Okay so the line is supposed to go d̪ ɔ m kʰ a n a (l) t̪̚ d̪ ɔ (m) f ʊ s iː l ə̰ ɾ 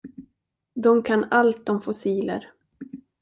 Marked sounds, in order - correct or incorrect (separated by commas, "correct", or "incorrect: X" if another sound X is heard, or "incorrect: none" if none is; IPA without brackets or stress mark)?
correct, correct